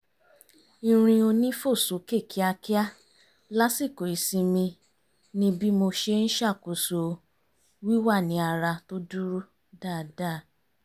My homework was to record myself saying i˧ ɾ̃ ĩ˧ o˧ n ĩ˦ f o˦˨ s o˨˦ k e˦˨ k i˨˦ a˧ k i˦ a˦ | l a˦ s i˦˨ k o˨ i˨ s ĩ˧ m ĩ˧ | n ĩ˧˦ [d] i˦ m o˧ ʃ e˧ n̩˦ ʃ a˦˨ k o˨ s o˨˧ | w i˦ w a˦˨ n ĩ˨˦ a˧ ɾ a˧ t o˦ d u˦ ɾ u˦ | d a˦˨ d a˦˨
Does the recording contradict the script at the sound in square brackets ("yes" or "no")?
yes